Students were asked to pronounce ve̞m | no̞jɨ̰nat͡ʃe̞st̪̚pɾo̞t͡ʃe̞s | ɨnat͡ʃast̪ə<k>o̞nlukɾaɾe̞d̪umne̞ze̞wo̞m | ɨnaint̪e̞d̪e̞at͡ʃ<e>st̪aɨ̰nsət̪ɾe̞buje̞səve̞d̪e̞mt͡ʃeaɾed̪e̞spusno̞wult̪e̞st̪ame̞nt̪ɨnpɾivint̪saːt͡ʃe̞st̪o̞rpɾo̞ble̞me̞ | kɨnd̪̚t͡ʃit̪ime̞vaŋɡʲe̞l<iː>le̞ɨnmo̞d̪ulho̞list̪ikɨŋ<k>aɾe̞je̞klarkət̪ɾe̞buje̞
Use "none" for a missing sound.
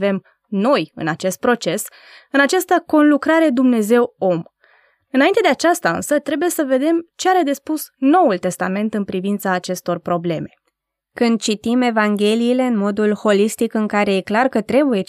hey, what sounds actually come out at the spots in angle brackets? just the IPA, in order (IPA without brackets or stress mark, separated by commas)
k, a, iː, k